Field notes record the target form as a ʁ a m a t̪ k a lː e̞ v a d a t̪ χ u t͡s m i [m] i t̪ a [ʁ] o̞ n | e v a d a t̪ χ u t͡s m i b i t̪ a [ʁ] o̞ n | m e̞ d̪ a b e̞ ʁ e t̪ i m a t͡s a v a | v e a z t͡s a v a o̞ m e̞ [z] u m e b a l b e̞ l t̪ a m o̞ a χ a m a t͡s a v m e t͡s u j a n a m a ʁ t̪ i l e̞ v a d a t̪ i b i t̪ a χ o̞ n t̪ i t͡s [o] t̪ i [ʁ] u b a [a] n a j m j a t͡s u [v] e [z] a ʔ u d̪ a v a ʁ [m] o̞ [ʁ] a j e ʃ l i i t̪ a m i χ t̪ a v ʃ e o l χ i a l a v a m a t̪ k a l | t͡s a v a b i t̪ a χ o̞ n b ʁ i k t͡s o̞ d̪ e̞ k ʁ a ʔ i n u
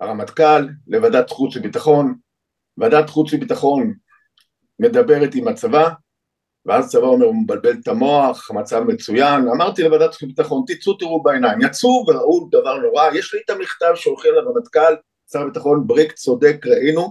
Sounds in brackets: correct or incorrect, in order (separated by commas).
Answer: incorrect, incorrect, incorrect, incorrect, incorrect, correct, incorrect, correct, incorrect, incorrect, correct